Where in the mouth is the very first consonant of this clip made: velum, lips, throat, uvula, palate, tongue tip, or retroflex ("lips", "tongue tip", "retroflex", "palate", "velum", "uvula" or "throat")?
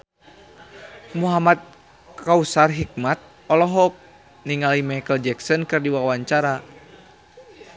lips